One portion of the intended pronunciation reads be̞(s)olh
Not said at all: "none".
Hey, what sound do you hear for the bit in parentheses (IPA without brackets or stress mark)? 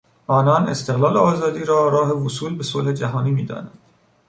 s